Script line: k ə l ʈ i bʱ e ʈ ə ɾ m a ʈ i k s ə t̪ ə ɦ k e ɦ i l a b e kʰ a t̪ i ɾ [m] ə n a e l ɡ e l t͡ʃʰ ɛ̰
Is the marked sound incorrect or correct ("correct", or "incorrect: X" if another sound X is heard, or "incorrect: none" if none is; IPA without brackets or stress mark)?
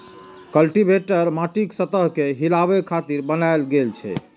incorrect: b